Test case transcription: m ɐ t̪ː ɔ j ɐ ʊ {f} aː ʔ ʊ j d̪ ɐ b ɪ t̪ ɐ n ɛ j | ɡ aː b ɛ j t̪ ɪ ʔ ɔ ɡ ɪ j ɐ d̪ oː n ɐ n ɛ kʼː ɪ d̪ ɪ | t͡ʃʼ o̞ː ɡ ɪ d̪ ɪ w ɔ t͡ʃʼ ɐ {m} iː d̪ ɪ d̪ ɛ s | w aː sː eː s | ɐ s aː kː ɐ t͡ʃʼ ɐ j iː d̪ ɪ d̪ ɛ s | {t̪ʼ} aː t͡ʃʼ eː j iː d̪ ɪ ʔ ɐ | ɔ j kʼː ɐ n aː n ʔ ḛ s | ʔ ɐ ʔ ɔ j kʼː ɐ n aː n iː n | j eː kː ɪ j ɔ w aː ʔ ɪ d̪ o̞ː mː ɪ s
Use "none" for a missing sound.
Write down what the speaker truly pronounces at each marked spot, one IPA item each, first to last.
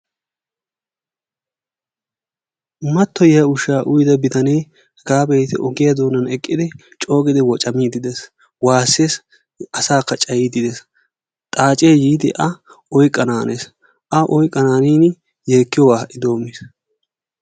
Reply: ʃ, m, t̪ʼ

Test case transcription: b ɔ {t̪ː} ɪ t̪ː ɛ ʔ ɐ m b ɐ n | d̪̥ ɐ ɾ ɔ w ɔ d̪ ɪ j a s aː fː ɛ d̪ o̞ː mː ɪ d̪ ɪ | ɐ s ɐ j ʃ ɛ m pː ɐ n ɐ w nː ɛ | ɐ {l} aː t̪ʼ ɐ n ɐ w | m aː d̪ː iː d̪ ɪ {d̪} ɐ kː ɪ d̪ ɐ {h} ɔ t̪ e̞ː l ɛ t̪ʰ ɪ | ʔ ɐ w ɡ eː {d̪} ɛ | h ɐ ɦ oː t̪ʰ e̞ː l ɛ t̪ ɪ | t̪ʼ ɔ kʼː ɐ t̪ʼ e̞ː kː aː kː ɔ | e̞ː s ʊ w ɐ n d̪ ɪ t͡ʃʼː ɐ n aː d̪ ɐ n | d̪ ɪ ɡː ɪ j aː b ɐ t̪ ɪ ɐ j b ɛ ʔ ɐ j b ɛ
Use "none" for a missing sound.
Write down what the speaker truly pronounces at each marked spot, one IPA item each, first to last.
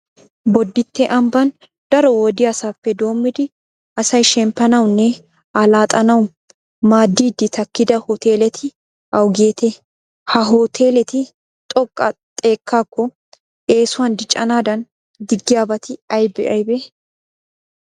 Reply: d̪ː, l, t̪, h, t̪

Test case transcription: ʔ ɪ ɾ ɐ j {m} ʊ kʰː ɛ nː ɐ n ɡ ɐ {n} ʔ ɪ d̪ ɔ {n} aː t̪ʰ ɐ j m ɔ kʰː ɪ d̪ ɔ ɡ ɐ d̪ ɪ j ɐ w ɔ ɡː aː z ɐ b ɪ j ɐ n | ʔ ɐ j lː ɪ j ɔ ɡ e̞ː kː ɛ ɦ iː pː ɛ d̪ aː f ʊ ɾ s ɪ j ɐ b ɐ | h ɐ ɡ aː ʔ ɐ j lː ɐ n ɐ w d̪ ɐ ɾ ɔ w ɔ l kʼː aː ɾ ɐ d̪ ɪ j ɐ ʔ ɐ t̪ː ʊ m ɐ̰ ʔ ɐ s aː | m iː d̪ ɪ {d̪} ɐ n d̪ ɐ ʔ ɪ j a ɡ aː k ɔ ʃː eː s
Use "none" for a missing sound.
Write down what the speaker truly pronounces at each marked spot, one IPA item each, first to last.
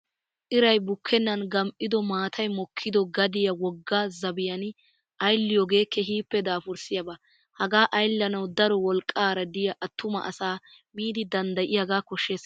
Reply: b, m, m, d̪

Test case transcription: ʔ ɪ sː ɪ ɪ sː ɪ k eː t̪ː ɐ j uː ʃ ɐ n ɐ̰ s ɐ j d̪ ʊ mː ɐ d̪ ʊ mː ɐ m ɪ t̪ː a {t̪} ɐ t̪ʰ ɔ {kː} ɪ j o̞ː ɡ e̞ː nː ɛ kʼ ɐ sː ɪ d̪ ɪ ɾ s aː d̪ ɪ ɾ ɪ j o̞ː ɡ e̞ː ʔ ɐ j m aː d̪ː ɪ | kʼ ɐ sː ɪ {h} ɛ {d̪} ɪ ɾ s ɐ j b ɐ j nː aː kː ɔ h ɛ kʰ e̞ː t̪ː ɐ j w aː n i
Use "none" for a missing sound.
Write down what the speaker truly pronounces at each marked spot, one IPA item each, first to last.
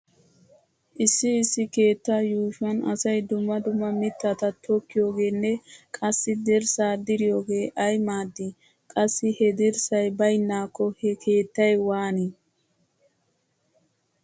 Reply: t̪, kː, h, d̪

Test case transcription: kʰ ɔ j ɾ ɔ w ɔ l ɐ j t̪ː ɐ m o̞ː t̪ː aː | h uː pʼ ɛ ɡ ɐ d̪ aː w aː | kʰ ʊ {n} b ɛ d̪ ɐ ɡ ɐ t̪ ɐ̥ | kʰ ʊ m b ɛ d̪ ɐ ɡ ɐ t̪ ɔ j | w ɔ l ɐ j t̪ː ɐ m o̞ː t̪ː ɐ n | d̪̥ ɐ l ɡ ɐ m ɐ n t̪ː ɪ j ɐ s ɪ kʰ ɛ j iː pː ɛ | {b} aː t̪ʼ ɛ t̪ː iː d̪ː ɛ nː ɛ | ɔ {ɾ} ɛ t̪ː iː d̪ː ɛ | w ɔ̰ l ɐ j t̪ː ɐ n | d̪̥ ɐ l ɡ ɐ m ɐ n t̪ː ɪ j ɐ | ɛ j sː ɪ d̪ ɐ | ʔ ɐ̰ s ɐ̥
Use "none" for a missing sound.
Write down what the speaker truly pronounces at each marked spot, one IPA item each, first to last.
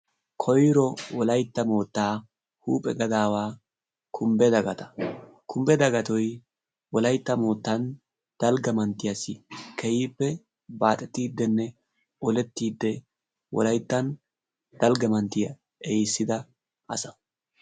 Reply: m, b, l

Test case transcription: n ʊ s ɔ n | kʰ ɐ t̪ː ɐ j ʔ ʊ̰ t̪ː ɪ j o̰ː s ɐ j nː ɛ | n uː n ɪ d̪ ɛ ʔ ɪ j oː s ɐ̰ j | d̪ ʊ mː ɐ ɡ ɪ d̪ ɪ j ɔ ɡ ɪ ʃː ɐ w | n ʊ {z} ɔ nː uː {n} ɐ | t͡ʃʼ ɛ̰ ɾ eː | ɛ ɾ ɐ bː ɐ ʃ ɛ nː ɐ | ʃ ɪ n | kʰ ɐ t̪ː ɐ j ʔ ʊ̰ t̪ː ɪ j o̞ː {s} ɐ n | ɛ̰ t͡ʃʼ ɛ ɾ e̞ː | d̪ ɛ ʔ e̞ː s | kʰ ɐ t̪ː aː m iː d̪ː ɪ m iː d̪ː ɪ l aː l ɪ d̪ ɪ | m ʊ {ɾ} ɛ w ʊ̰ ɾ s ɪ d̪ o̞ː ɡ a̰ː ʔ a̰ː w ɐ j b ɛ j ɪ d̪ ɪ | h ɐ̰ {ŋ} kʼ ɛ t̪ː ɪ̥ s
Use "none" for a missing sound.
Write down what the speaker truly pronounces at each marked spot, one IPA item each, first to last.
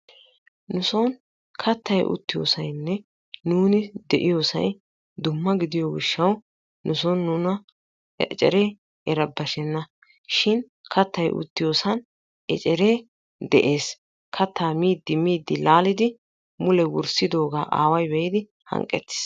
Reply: s, n, s, l, ŋ

